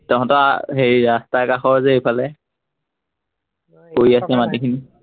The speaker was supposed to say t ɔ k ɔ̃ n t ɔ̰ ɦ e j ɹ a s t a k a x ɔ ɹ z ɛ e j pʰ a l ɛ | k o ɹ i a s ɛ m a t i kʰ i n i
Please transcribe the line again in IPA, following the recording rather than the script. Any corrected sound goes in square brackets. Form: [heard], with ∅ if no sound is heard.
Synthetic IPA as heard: t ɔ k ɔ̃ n t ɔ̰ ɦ e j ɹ a s t a k a x ɔ ɹ z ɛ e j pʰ a l ɛ | k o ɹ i a s ɛ m a t i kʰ i n i